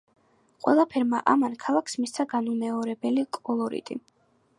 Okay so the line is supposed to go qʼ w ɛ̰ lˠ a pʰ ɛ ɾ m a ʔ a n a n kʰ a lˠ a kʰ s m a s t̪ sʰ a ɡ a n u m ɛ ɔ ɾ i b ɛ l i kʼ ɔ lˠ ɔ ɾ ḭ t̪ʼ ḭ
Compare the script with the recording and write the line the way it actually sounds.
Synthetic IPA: qʼ w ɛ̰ lˠ a pʰ ɛ ɾ m a ʔ a m a n kʰ a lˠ a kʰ s m i s t̪ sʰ a ɡ a n u m ɛ ɔ ɾ ɛ b ɛ l i kʼ ɔ lˠ ɔ ɾ ḭ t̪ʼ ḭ